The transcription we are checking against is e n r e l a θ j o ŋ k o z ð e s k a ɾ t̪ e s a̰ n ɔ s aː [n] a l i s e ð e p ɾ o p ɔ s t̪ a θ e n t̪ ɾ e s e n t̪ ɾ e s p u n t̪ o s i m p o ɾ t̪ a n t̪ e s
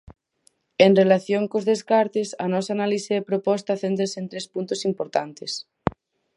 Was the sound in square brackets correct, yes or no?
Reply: yes